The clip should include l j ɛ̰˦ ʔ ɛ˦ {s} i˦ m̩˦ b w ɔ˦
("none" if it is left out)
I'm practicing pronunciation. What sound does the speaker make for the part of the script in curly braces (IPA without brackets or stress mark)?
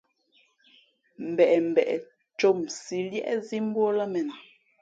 z